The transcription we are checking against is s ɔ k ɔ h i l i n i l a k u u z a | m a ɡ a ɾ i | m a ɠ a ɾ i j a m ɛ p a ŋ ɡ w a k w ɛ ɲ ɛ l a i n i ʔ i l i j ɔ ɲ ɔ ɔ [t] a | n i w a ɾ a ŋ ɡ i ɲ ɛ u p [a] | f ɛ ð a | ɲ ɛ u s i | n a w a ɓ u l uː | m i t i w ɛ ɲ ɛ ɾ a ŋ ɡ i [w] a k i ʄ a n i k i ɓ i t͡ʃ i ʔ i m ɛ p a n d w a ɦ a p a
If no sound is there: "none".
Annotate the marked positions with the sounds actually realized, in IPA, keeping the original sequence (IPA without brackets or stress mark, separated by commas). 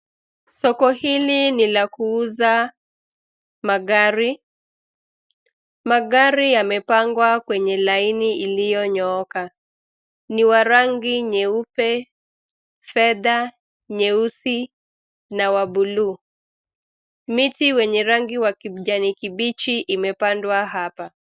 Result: k, ɛ, w